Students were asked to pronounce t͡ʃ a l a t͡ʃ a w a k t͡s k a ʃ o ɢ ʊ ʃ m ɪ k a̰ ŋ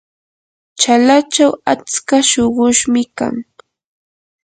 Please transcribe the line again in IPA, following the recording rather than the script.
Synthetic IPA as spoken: t͡ʃ a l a t͡ʃ a w a t͡s k a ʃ o ɢ ʊ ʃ m ɪ k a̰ ŋ

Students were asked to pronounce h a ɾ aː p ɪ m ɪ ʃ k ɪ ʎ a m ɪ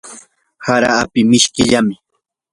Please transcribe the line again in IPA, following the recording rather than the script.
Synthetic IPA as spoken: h a ɾ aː p ɪ m ɪ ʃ k ɪ ʎ a m ɪ

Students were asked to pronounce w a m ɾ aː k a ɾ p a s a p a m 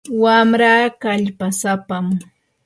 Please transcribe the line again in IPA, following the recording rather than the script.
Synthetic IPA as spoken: w a m ɾ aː k a ʎ p a s a p a m

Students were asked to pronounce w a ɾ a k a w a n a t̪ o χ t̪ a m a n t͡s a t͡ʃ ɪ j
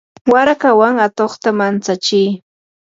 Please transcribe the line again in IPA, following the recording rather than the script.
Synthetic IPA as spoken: w a ɾ a k a w a ŋ a t̪ o χ t̪ a m a n t͡s a t͡ʃ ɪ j

